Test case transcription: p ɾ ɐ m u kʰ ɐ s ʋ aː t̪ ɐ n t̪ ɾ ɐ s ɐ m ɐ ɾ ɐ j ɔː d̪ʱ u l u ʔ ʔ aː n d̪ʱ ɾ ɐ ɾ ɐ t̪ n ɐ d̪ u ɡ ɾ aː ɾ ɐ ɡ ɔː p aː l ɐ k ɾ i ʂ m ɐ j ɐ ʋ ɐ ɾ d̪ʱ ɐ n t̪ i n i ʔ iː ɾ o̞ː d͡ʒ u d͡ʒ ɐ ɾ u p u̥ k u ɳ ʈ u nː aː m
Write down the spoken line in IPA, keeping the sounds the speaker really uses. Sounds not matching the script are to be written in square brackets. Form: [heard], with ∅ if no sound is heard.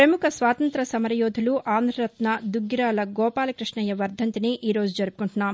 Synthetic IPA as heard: p ɾ ɐ m u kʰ ɐ s ʋ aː t̪ ɐ n t̪ ɾ ɐ s ɐ m ɐ ɾ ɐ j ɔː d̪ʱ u l u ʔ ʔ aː n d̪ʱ ɾ ɐ ɾ ɐ t̪ n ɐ d̪ u ɡ ɾ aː [l] ɐ ɡ ɔː p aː l ɐ k ɾ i ʂ [ɳ] ɐ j ɐ ʋ ɐ ɾ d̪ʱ ɐ n t̪ i n i ʔ iː ɾ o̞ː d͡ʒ u d͡ʒ ɐ ɾ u p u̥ k u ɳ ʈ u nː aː m